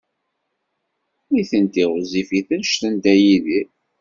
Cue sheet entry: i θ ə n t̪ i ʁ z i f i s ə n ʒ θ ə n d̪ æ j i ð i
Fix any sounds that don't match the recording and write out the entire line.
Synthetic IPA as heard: i θ ə n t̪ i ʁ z i f i θ ə n ʃ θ ə n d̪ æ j i ð i